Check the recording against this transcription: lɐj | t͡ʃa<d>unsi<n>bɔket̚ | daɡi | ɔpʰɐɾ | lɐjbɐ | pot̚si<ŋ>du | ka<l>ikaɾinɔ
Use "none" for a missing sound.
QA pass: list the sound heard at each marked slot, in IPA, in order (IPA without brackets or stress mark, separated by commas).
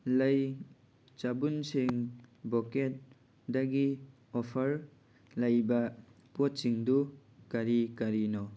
b, ŋ, ŋ, ɾ